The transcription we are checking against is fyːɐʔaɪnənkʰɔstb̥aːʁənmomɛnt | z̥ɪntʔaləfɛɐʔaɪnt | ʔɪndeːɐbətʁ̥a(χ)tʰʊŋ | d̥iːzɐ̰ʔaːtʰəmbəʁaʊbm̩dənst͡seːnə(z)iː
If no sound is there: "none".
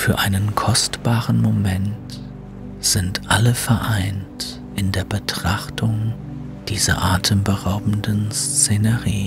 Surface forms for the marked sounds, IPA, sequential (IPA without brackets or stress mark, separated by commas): χ, ʁ